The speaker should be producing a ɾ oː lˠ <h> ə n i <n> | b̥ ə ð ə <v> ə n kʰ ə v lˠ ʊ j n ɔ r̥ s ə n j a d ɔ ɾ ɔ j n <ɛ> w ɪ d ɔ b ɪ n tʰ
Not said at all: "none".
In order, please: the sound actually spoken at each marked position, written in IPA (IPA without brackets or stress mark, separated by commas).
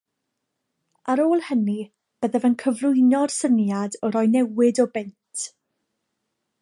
h, none, v, ɛ